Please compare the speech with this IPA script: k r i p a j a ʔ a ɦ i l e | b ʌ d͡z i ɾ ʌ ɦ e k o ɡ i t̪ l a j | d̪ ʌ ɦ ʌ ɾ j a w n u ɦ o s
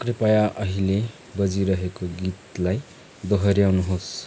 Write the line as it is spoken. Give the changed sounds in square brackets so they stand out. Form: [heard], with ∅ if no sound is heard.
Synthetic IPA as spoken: k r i p a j a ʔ [ʌ] ɦ i l e | b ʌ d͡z i ɾ ʌ ɦ e k o ɡ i t̪ l a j | d̪ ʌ ɦ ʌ ɾ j a w n u ɦ o s